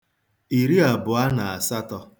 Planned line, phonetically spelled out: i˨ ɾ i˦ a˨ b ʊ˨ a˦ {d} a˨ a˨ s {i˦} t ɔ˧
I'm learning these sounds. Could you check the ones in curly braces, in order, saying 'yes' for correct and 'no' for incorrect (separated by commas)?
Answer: no, no